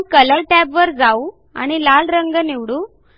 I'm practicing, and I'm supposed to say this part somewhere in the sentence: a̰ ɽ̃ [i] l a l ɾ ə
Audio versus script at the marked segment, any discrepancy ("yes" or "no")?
no